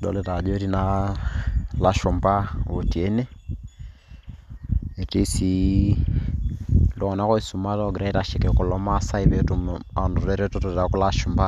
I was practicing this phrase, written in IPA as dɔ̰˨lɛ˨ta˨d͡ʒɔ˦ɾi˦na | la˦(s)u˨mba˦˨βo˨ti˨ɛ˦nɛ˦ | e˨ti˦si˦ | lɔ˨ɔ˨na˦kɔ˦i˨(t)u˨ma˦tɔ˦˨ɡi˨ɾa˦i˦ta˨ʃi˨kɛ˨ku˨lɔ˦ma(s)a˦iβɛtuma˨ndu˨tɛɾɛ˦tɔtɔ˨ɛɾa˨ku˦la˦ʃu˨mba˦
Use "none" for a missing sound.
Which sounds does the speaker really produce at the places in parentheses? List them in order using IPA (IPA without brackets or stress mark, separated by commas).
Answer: ʃ, s, s